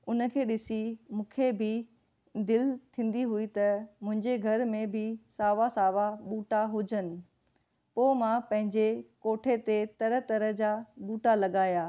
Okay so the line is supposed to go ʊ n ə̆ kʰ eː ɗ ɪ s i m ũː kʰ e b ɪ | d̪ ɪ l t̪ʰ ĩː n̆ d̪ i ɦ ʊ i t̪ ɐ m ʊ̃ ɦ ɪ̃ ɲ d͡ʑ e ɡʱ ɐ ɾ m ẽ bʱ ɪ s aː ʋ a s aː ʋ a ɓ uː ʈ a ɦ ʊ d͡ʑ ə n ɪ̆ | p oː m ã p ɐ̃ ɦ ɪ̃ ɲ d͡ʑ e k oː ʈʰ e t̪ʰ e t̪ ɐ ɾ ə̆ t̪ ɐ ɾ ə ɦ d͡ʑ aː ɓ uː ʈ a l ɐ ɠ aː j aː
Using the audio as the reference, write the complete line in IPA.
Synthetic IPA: ʊ n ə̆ kʰ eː ɗ ɪ s i m ũː kʰ e b ɪ | d̪ ɪ l t̪ʰ ĩː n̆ d̪ i ɦ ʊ i t̪ ɐ m ʊ̃ ɦ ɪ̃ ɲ d͡ʑ e ɡʱ ɐ ɾ m ẽ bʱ ɪ s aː ʋ a s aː ʋ a ɓ uː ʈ a ɦ ʊ d͡ʑ ə n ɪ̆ | p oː m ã p ɐ̃ ɦ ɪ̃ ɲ d͡ʑ e k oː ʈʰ e t̪ e t̪ ɐ ɾ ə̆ t̪ ɐ ɾ ə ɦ d͡ʑ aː ɓ uː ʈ a l ɐ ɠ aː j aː

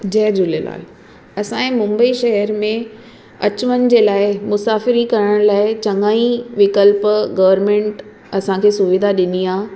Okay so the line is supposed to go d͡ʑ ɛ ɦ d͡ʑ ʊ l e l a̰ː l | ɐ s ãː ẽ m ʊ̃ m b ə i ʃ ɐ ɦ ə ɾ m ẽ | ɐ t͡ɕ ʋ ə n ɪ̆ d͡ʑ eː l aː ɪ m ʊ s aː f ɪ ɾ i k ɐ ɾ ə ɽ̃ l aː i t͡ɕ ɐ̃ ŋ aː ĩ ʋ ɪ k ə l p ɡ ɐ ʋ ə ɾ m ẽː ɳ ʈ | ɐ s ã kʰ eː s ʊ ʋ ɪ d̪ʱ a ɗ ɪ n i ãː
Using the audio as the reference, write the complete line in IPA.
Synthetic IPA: d͡ʑ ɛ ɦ d͡ʑ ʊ l e l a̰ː l | ɐ s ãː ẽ m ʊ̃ m b ə i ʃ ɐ ɦ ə ɾ m ẽ | ɐ t͡ɕ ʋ ə n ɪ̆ d͡ʑ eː l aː ɪ m ʊ s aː f ɪ ɾ i k ɐ ɾ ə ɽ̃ l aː ɪ t͡ɕ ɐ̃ ŋ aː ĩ ʋ ɪ k ə l p ɡ ɐ ʋ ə ɾ m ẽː ɳ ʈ | ɐ s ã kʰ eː s ʊ ʋ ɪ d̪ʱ a ɗ ɪ n i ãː

